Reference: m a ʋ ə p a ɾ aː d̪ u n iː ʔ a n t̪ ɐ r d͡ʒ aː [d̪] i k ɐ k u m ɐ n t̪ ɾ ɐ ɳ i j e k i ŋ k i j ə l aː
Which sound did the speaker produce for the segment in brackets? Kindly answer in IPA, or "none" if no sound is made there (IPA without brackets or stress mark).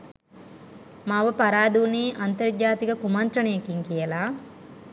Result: t̪